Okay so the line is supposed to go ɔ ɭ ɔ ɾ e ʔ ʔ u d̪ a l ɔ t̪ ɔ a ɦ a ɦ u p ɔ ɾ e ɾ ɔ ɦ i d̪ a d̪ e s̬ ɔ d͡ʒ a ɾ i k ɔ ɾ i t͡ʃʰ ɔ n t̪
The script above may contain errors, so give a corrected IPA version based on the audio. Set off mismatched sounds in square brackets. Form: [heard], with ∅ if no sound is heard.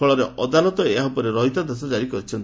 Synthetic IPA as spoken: ɔ ɭ ɔ ɾ e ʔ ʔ [ɔ] d̪ a l ɔ t̪ ɔ [e] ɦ a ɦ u p ɔ ɾ e ɾ ɔ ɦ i [t̪] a d̪ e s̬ ɔ d͡ʒ a ɾ i k ɔ ɾ i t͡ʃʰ ɔ n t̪